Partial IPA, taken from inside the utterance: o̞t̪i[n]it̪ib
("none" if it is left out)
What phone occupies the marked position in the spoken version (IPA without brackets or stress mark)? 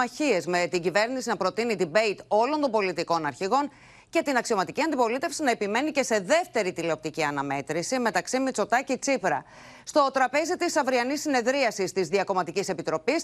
n